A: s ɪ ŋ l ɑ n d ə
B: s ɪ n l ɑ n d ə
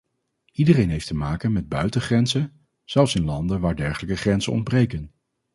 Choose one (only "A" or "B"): B